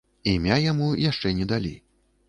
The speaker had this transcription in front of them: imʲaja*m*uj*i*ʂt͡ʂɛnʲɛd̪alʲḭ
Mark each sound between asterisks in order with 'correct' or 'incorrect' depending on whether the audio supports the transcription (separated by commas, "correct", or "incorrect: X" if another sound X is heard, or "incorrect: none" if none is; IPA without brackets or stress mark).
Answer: correct, incorrect: a